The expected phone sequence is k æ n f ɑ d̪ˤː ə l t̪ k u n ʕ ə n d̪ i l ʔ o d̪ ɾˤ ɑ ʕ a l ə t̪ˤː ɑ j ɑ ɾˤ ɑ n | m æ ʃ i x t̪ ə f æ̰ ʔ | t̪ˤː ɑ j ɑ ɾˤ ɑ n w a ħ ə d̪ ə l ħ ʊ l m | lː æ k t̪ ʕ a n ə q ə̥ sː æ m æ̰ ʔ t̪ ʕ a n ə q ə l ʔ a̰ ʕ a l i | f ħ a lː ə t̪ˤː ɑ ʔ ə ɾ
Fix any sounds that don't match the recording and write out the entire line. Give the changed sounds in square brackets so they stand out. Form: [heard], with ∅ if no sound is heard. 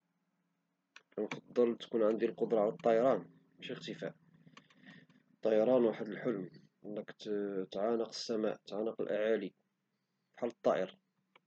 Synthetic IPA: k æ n f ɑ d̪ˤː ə l t̪ k u n ʕ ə n d̪ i l [q] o d̪ ɾˤ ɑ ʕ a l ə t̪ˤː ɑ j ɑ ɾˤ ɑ n | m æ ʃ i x t̪ ə f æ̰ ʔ | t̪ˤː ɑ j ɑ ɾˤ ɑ n w a ħ ə d̪ ə l ħ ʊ l m | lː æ k t̪ ʕ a n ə q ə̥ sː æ m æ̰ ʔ t̪ ʕ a n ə q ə l ʔ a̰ ʕ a l i | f ħ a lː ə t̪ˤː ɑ ʔ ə ɾ